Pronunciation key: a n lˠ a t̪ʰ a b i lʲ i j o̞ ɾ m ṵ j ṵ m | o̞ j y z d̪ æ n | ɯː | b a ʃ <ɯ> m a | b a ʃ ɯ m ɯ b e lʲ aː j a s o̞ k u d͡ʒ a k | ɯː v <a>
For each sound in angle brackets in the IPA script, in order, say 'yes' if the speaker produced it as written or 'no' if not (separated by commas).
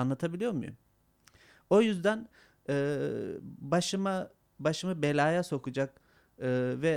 yes, no